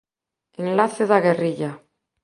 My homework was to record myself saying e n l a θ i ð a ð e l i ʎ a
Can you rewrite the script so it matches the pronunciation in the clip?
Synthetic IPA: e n l a θ e ð a ɣ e r i ʎ a